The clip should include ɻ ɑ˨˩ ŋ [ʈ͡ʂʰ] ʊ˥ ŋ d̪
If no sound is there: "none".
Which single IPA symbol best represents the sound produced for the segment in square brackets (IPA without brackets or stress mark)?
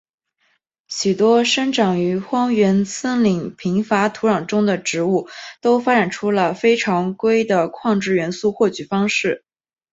ʈ͡ʂ